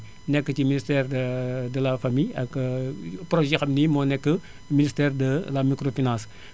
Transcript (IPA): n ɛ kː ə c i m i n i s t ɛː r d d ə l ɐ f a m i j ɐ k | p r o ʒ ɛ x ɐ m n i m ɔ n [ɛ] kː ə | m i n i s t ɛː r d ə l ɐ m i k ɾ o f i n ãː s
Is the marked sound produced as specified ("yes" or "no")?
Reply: yes